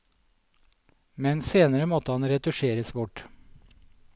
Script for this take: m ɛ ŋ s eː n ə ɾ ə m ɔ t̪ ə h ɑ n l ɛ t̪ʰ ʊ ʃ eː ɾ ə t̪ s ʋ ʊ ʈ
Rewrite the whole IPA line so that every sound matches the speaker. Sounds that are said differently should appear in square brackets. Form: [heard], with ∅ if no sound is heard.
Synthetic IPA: m ɛ [n] s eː n ə ɾ ə m ɔ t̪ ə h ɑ n [ɾ] ɛ [t̪] ʊ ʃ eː ɾ ə [∅] s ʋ ʊ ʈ